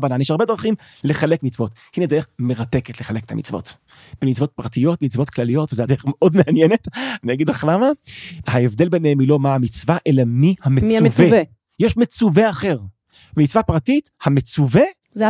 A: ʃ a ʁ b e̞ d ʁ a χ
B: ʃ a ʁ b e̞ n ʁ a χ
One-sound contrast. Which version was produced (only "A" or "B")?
A